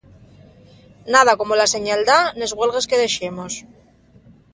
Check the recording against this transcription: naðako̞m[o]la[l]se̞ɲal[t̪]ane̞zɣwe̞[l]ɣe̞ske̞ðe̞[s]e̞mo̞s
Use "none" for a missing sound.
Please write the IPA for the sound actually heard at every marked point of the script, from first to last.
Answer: o, none, d̪, l, ʃ

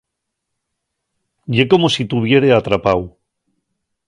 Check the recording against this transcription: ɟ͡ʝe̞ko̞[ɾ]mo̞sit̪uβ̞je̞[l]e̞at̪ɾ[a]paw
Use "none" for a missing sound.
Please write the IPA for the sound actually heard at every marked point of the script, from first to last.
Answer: none, ɾ, a

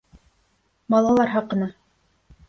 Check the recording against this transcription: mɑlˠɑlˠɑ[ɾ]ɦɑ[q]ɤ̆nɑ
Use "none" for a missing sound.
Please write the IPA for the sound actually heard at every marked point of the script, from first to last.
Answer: ɾ, q

